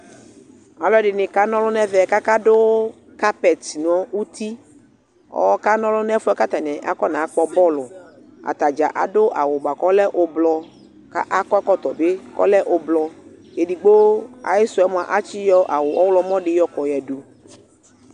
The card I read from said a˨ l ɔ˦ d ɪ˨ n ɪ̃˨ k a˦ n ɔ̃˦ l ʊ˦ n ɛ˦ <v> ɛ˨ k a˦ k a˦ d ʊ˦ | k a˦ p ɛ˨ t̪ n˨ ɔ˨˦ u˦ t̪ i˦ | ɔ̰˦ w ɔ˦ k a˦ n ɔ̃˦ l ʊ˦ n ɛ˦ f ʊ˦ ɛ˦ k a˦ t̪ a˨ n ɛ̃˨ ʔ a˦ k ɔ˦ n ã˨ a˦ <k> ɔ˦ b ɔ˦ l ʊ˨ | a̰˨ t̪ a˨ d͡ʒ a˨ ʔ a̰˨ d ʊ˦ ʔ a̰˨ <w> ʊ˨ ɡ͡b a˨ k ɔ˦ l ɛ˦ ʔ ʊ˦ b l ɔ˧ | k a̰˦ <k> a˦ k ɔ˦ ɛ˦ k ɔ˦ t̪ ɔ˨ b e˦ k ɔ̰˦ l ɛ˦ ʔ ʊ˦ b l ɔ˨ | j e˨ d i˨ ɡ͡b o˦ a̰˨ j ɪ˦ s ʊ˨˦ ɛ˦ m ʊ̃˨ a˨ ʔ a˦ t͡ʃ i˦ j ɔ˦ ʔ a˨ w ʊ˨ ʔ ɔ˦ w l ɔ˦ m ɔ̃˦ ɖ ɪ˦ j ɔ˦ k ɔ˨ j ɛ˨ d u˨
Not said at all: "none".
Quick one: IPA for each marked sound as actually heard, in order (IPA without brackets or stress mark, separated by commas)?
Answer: v, k͡p, w, ʔ